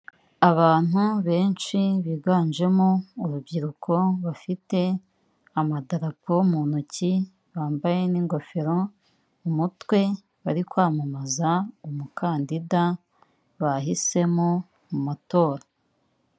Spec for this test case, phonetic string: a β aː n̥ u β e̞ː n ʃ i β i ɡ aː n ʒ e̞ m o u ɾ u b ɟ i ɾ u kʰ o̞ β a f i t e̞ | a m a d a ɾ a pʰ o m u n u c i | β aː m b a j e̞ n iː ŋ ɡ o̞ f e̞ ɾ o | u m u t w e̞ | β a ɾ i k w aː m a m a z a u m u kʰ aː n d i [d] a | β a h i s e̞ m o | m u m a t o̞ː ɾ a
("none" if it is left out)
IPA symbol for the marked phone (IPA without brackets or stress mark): d